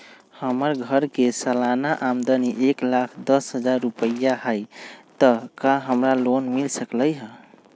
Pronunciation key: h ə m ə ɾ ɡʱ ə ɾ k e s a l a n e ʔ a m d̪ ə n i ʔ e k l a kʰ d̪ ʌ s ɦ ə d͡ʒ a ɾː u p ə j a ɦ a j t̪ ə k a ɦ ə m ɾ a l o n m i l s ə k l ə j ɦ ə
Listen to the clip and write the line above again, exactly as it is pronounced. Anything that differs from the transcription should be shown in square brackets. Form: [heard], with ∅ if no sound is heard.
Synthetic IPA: h ə m ə ɾ ɡʱ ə ɾ k e s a l a n [a] ʔ a m d̪ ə n i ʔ e k l a kʰ d̪ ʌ s ɦ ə d͡ʒ a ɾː u p ə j a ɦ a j t̪ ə k a ɦ ə m ɾ a l o n m i l s ə k l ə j ɦ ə